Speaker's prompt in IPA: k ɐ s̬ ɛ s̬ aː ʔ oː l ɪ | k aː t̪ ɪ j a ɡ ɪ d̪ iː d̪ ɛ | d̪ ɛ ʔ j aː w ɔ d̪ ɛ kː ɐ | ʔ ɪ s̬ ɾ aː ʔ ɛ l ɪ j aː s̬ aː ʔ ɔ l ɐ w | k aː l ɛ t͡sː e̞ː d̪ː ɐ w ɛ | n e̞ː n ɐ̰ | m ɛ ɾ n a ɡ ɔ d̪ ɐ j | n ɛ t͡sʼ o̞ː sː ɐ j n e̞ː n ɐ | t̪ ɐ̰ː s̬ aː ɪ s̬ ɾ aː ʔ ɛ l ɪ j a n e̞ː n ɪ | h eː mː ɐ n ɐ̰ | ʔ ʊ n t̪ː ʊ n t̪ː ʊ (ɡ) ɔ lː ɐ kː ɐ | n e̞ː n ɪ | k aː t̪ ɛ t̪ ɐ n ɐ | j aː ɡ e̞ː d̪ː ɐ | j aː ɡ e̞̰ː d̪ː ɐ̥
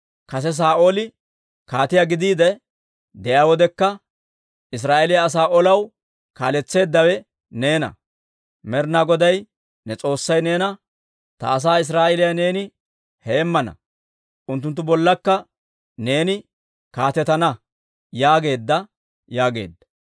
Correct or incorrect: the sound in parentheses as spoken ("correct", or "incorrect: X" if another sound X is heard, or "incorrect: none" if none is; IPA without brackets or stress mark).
incorrect: b